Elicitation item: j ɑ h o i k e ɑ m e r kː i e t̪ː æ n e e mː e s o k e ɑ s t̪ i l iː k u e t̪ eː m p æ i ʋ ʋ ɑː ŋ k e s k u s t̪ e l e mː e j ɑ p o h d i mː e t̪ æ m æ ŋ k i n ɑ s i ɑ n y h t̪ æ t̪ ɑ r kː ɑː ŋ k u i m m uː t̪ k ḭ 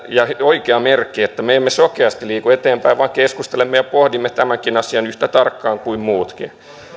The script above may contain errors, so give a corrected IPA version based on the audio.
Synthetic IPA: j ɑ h o i k e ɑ m e r kː i e t̪ː æ m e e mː e s o k e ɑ s t̪ i l iː k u e t̪ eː m p æ i ʋ ʋ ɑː ŋ k e s k u s t̪ e l e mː e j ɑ p o h d i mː e t̪ æ m æ ŋ k i n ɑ s i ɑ n y h t̪ æ t̪ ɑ r kː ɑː ŋ k u i m m uː t̪ k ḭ